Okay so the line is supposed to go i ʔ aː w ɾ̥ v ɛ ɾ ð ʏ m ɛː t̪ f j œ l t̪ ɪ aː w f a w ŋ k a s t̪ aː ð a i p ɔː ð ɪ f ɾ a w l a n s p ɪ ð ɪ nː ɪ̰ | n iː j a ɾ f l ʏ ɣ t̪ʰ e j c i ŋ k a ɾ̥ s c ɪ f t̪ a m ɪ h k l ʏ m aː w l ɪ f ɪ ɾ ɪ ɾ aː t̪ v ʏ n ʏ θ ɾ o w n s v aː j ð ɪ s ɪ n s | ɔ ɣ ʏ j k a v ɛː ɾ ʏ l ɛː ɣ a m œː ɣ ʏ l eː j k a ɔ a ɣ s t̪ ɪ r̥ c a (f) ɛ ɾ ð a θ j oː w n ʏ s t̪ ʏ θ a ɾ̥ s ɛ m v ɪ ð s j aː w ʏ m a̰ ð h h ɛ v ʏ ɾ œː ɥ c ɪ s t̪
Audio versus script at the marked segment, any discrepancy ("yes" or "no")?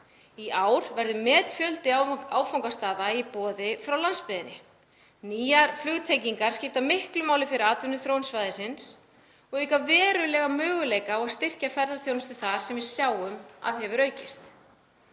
no